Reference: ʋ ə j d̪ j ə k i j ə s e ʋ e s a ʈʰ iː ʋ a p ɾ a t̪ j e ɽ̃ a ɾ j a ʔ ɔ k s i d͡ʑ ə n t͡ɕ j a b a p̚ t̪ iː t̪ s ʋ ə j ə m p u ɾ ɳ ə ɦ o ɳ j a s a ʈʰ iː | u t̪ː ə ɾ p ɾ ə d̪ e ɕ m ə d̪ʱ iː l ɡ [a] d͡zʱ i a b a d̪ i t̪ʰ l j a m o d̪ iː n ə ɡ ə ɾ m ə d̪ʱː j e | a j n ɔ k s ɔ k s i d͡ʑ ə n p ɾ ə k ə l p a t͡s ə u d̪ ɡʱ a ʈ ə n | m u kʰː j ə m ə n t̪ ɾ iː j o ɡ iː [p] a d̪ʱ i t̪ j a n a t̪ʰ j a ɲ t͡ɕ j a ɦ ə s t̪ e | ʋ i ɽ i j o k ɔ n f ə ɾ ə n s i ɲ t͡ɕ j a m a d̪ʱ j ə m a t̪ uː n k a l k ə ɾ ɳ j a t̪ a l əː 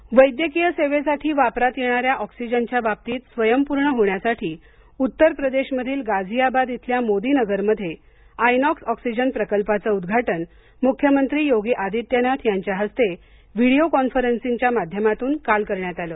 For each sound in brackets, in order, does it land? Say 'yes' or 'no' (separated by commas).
yes, no